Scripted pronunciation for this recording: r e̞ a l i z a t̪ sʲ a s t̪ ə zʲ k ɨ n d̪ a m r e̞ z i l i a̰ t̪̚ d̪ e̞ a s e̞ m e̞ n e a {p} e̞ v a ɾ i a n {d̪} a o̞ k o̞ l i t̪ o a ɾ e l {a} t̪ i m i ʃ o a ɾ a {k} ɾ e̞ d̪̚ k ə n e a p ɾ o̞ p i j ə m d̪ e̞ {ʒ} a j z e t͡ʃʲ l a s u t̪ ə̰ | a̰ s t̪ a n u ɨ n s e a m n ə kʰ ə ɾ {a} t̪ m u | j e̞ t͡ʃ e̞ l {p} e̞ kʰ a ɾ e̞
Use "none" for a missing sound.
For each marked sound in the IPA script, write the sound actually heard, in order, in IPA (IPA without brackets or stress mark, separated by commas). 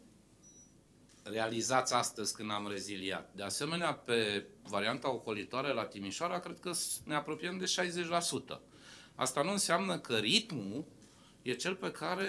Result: p, t̪, a, k, ʃ, i, p